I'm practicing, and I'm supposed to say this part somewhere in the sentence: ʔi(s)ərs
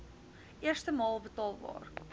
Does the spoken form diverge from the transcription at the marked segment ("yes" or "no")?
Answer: yes